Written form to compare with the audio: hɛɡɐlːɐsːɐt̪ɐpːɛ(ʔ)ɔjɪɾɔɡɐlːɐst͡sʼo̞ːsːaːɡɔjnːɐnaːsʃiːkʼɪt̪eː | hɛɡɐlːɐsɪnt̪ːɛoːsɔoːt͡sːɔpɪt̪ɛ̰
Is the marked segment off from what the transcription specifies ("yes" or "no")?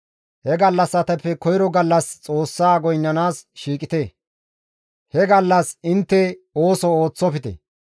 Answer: yes